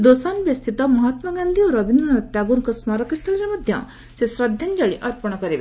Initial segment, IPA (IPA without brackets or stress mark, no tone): d̪